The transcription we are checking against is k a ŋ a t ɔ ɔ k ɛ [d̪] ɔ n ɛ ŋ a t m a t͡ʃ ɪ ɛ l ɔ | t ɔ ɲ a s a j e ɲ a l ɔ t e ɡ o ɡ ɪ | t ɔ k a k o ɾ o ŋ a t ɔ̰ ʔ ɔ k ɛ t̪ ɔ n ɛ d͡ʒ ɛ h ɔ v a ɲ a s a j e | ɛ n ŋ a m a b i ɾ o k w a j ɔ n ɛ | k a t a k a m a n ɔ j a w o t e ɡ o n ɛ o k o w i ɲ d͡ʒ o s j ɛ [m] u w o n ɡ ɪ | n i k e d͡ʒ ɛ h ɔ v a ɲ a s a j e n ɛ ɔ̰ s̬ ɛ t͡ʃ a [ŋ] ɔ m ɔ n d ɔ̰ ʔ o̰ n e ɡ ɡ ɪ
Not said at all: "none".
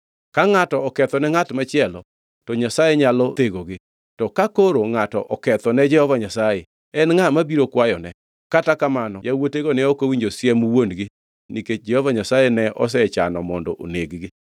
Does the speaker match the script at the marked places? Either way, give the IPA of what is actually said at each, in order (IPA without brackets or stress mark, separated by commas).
t̪, m, n